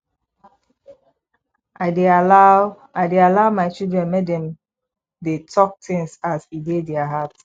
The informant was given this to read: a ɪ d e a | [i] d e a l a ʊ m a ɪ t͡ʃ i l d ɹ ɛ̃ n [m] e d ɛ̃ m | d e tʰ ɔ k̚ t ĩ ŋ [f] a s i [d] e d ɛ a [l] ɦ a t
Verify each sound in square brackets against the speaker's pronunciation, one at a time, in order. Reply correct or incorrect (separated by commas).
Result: incorrect, correct, incorrect, correct, incorrect